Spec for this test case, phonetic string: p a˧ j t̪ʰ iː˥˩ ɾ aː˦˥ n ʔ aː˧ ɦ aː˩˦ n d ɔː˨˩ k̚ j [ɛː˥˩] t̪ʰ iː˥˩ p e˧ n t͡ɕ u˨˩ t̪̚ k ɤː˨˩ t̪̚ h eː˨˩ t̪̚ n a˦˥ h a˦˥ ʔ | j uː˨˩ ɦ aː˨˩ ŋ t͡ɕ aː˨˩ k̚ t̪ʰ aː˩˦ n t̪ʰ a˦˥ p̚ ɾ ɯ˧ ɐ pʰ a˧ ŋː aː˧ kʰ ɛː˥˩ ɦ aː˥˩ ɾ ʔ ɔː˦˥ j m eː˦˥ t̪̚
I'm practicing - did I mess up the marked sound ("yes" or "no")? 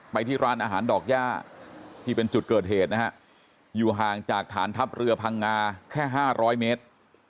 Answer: yes